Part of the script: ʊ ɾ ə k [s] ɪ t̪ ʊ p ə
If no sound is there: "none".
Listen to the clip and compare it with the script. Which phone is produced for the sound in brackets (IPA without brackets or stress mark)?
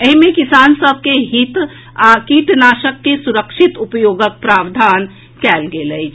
ʃ